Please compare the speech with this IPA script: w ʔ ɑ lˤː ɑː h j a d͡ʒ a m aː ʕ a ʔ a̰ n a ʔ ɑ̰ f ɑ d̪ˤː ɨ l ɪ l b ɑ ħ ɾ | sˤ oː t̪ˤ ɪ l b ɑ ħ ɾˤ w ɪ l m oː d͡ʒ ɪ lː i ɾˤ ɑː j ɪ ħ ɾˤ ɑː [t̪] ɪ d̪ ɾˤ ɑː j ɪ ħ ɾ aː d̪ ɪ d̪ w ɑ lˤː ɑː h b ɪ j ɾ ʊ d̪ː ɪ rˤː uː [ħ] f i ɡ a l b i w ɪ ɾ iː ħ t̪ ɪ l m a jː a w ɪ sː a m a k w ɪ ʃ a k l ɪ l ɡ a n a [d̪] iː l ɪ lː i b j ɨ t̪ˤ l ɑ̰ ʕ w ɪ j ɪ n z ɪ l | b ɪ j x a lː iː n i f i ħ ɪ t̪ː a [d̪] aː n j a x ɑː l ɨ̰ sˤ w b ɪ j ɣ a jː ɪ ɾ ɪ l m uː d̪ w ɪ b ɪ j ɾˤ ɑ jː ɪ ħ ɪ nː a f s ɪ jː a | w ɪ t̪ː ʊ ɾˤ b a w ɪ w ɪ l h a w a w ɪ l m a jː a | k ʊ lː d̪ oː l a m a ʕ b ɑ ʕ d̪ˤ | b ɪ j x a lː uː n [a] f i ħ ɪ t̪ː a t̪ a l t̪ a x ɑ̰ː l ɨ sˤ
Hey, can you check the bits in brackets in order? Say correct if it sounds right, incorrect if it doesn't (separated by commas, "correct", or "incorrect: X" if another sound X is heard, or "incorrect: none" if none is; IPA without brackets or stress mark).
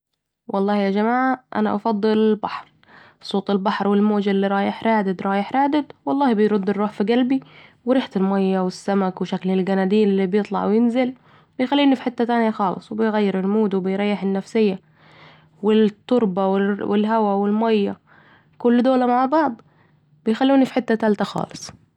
incorrect: d̪, correct, correct, incorrect: t̪, incorrect: i